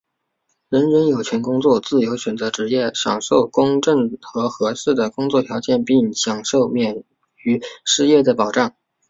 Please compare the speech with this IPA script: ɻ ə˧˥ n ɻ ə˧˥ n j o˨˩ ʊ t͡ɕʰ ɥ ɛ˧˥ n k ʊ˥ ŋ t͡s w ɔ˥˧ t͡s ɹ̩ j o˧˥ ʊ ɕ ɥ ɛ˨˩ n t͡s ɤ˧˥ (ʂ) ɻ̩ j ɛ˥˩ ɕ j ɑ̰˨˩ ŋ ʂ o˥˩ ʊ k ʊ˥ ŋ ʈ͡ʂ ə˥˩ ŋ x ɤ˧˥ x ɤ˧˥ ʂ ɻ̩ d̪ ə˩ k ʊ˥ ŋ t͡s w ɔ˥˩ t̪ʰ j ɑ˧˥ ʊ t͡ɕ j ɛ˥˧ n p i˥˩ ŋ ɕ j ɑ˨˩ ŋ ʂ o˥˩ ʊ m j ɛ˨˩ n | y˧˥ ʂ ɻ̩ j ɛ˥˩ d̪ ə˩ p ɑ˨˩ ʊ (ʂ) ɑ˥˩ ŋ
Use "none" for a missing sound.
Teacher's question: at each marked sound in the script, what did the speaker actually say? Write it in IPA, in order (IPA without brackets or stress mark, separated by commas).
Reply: ʈ͡ʂ, ʈ͡ʂ